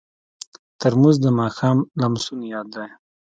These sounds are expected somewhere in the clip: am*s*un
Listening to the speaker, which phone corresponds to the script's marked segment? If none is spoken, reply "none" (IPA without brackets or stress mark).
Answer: s